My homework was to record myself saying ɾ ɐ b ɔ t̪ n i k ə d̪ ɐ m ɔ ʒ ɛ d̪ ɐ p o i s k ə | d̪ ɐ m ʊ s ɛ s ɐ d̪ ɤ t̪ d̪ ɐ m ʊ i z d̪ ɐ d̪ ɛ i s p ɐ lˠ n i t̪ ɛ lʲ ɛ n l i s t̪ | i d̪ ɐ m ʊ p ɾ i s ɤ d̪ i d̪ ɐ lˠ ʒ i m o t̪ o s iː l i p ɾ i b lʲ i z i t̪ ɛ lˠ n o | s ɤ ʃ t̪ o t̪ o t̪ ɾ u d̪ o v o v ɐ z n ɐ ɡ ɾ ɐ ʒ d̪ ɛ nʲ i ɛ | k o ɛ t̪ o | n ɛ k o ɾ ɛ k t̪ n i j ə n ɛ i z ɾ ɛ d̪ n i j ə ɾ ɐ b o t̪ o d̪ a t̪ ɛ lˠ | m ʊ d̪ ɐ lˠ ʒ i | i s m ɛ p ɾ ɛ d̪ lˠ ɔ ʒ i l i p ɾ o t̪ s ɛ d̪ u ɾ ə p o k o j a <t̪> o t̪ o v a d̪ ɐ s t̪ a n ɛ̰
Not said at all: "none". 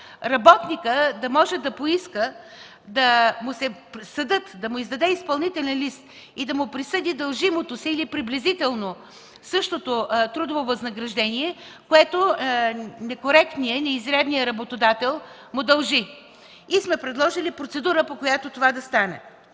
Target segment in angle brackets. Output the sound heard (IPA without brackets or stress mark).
t̪